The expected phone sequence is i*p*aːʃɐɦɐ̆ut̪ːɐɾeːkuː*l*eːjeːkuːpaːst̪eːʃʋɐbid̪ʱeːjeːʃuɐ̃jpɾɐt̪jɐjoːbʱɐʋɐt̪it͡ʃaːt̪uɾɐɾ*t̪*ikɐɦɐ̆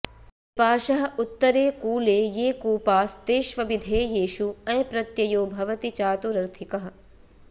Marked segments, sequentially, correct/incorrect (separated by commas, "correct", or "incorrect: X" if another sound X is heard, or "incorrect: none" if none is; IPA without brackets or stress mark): correct, correct, incorrect: t̪ʰ